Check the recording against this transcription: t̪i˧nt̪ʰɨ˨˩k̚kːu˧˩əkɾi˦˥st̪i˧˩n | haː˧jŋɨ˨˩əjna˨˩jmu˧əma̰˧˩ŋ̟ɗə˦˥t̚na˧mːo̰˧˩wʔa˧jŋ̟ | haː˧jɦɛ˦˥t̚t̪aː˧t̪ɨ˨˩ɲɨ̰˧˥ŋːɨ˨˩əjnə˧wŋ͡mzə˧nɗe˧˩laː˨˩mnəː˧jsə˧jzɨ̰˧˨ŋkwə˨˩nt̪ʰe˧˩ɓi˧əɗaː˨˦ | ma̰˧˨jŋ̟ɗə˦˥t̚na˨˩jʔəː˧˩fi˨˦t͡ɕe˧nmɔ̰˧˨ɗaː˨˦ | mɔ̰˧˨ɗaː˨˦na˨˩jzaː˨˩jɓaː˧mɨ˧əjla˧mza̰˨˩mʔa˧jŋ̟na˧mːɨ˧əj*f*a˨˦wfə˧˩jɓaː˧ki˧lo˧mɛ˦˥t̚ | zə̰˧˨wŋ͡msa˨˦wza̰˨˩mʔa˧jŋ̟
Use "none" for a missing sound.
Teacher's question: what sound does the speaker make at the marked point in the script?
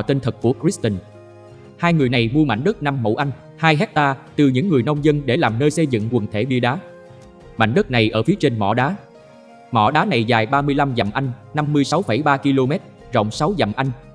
s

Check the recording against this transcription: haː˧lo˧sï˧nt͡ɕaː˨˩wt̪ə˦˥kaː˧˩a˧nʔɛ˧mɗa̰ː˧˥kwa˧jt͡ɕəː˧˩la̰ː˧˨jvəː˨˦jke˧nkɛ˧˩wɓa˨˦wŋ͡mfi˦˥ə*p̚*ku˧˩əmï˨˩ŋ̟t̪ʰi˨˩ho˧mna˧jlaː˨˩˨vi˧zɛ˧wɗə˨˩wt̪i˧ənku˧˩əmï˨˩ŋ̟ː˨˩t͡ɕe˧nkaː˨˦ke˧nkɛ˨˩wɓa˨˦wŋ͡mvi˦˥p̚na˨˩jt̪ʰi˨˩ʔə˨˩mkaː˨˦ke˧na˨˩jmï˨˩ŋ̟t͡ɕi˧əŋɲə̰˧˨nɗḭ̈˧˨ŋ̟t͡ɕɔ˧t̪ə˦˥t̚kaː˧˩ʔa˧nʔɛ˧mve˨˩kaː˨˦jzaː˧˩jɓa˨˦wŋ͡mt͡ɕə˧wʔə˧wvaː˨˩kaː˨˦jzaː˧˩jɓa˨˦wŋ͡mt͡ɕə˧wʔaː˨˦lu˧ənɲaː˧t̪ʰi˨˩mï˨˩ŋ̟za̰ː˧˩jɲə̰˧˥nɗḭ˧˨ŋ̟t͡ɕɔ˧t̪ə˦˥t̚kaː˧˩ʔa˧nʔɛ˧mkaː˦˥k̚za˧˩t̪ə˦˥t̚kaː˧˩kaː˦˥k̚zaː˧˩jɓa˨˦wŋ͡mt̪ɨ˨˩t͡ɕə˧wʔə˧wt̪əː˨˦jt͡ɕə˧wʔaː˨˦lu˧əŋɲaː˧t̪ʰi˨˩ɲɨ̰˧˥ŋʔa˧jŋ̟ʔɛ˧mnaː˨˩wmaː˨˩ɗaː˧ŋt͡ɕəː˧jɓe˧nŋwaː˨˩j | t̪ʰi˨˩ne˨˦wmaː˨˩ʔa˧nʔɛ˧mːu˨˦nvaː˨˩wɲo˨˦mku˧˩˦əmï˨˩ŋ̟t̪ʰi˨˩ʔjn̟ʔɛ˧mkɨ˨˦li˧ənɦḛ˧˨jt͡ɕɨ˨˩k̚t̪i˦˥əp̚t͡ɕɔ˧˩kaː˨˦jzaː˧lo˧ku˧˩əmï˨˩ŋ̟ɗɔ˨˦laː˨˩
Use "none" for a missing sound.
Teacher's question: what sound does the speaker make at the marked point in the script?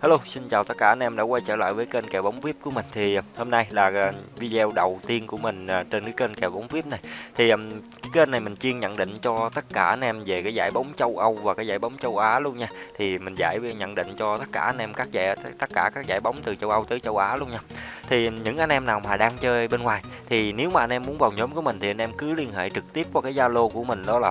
p̚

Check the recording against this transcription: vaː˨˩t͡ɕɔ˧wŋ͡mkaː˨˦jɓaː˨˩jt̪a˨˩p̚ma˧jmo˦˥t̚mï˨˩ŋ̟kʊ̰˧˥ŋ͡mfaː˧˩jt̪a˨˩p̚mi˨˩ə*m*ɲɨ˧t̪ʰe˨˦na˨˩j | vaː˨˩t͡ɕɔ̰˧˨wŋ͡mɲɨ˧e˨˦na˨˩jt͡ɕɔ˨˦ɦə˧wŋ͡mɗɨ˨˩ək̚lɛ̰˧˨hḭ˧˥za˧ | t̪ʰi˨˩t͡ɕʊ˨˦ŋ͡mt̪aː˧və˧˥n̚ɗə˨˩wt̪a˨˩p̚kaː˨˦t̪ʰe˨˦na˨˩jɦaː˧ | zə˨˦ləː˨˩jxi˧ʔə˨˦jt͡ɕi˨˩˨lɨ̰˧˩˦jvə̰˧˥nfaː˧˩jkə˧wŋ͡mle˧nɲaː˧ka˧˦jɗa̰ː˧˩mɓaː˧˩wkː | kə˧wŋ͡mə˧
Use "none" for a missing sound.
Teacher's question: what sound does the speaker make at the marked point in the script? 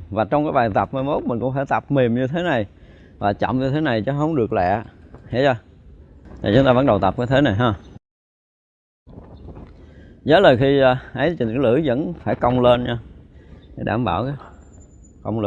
m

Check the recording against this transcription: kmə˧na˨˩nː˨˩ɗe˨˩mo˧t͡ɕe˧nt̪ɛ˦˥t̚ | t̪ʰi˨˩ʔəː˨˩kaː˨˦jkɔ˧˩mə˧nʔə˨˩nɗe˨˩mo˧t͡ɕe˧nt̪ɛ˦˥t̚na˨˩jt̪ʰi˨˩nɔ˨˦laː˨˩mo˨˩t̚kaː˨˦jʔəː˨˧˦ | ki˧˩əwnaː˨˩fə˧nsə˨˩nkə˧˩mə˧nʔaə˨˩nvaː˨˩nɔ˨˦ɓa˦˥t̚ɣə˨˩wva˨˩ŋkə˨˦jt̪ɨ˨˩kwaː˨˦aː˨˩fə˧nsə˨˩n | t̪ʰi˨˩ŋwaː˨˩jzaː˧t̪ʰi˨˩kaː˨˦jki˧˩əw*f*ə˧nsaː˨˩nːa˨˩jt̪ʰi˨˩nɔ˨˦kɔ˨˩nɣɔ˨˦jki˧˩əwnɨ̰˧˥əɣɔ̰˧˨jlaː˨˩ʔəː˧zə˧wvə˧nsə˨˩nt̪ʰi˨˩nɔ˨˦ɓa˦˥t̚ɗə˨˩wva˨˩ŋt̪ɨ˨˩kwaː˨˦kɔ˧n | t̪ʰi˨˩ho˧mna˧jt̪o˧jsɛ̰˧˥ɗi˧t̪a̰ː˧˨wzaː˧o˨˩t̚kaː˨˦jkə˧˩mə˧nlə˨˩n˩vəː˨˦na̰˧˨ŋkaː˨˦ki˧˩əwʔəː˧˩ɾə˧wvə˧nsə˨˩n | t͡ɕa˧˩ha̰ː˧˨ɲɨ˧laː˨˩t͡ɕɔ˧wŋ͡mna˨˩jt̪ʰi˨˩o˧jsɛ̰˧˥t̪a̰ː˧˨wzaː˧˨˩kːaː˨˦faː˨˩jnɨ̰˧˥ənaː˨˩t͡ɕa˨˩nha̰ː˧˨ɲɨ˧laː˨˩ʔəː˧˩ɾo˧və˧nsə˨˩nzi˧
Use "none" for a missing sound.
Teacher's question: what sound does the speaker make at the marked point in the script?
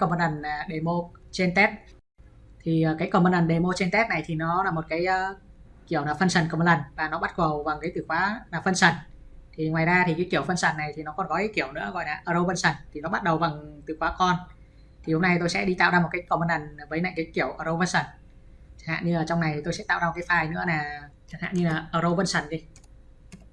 f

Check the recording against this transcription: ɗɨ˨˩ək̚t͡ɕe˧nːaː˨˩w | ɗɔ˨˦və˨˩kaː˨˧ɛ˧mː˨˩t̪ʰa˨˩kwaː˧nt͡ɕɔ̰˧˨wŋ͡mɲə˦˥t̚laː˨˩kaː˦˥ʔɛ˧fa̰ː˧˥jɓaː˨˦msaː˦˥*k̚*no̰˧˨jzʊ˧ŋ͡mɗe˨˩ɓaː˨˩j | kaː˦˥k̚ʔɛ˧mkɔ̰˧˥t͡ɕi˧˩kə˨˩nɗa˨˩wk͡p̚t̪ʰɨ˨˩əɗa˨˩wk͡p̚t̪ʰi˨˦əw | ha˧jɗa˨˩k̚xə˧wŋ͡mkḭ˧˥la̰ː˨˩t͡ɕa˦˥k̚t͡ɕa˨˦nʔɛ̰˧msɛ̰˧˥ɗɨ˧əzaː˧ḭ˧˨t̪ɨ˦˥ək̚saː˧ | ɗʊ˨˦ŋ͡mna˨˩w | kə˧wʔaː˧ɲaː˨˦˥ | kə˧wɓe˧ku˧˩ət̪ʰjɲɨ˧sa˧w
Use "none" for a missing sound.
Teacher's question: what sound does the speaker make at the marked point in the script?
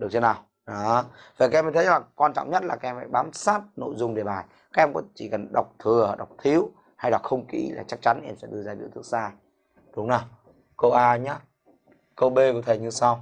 t̚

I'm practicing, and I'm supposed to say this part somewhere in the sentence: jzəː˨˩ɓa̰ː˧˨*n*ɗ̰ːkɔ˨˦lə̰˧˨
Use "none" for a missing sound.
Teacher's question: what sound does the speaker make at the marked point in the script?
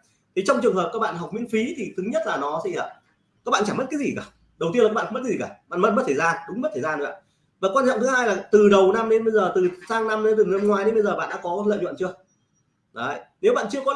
n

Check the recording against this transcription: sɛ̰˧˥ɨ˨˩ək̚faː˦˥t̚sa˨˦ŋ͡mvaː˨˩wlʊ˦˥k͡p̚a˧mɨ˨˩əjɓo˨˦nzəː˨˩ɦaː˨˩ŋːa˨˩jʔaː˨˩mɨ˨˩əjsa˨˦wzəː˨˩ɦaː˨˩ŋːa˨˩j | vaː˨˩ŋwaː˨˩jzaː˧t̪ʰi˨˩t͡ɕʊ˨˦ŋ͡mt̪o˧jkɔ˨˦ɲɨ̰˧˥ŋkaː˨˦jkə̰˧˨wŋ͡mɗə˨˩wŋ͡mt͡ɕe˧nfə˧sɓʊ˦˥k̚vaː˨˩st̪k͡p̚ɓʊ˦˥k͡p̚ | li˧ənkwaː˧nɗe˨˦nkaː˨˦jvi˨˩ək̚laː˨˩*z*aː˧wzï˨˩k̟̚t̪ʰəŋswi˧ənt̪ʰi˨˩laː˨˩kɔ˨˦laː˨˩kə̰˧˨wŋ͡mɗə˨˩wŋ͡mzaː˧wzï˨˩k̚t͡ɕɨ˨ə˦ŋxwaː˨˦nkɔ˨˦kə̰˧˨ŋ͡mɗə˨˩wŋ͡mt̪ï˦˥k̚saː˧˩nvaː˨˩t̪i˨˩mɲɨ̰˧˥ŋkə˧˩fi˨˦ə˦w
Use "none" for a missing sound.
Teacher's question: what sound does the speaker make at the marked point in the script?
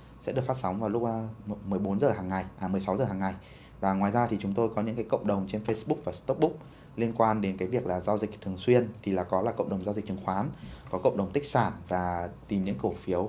z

